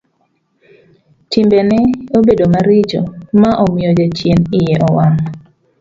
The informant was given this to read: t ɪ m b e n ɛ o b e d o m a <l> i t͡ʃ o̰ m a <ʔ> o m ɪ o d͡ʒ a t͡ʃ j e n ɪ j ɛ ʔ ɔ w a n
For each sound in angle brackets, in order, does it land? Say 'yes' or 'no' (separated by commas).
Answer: no, yes